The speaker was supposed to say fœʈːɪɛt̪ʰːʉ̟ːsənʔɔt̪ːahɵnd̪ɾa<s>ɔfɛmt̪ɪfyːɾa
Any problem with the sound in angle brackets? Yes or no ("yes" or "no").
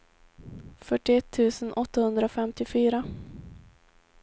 yes